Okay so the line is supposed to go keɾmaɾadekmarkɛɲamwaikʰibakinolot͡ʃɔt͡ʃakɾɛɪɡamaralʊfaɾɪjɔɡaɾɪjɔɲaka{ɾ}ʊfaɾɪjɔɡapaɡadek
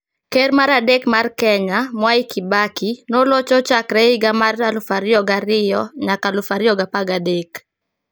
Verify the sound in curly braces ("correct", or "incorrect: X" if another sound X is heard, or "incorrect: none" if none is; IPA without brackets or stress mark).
incorrect: l